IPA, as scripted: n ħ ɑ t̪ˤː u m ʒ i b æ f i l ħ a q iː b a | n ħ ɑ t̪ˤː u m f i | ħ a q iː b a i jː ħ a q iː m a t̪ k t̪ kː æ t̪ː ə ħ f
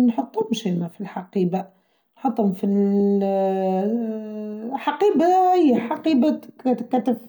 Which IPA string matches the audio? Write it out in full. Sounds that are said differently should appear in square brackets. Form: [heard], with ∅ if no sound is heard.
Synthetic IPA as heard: n ħ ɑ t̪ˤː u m [ʃ] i [m] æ f i l ħ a q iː b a | n ħ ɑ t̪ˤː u m f i | ħ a q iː b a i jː ħ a q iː [b] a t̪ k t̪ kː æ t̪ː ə [∅] f